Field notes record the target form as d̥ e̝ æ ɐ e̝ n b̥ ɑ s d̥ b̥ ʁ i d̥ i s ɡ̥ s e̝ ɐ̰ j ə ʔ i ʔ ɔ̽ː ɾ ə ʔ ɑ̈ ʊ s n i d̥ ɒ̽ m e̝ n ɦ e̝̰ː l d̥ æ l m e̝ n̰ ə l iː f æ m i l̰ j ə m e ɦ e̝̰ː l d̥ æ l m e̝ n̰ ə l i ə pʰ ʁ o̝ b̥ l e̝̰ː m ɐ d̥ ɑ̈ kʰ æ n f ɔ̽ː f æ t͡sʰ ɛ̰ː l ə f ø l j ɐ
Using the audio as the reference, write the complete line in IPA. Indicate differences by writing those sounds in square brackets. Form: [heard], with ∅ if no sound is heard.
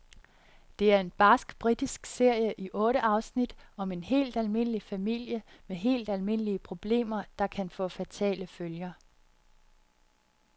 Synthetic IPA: d̥ e̝ æ ɐ e̝ n b̥ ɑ s [ɡ̥] b̥ ʁ i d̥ i s ɡ̥ s e̝ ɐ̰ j ə ʔ i ʔ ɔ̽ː ɾ ə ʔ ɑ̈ ʊ s n i d̥ ɒ̽ m e̝ n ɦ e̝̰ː l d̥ æ l m e̝ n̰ ə l [i] f æ m i l̰ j ə m e ɦ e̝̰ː l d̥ æ l m e̝ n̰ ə l i ə pʰ ʁ o̝ b̥ l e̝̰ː m ɐ d̥ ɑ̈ kʰ æ n f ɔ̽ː f æ t͡sʰ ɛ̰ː l ə f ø l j ɐ